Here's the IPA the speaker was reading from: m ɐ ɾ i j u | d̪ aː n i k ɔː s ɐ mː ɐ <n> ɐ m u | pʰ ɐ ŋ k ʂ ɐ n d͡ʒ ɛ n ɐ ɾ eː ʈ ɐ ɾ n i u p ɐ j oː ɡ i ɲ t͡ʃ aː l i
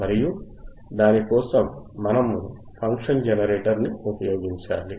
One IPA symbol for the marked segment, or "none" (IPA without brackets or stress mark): n